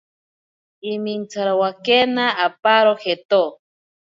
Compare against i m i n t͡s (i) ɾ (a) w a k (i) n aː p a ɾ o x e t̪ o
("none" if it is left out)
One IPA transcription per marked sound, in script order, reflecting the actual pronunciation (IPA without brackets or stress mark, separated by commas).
a, a, e